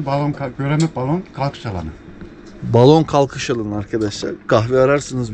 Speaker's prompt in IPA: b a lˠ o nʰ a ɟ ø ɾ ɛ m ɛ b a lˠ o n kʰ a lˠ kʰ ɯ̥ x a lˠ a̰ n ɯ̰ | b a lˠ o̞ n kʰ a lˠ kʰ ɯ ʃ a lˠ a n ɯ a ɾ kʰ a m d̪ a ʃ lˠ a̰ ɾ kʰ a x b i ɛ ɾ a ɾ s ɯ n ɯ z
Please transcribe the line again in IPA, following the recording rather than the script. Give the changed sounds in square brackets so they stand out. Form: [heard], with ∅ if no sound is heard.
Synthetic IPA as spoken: b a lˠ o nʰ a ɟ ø ɾ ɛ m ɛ b a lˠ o n kʰ a lˠ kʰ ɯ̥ [ʃ] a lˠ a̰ n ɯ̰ | b a lˠ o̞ n kʰ a lˠ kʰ ɯ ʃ a lˠ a n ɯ a ɾ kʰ a [∅] d̪ a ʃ lˠ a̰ ɾ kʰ a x [v] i [a] ɾ a ɾ s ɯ n ɯ z